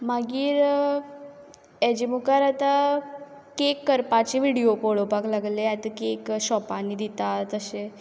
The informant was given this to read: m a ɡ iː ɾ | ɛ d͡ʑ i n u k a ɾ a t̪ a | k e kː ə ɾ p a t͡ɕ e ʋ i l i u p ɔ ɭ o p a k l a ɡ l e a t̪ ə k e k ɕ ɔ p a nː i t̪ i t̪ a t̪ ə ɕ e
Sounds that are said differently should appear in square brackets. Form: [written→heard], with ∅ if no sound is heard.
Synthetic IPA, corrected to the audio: m a ɡ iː ɾ | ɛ d͡ʑ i [n→m] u k a ɾ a t̪ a | k e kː ə ɾ p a t͡ɕ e ʋ i [l→ɽ] i [u→o] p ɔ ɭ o p a k l a ɡ l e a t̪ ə k e k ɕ ɔ p a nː i [t̪→d̪] i t̪ a t̪ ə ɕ e